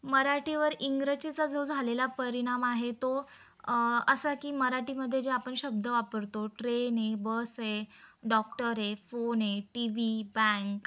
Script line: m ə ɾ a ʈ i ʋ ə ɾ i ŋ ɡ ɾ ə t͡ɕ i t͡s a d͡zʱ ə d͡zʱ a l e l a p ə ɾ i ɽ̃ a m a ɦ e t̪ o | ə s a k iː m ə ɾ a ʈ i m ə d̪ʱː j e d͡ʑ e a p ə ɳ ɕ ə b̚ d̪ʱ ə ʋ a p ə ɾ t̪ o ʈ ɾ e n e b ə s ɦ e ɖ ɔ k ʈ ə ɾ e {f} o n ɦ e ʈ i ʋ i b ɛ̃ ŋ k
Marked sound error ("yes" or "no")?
no